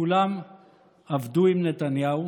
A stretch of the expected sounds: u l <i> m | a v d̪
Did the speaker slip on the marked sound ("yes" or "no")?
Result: yes